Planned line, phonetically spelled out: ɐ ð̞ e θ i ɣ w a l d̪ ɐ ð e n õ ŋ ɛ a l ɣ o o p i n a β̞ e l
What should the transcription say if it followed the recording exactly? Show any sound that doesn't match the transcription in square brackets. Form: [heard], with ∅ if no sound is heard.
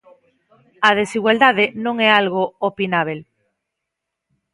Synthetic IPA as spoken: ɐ ð̞ e [s] i ɣ w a l d̪ [a] ð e n õ ŋ ɛ a l ɣ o o p i n a β̞ e l